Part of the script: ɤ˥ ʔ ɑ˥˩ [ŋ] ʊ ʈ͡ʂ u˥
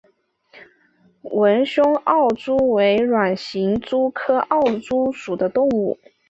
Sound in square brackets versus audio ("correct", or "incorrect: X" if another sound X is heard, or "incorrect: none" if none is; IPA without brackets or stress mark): incorrect: none